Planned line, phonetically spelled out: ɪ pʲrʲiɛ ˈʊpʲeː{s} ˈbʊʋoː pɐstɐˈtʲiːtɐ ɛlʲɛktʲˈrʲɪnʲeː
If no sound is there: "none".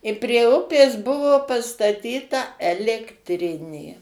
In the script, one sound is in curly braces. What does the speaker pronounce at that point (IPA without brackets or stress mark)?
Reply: s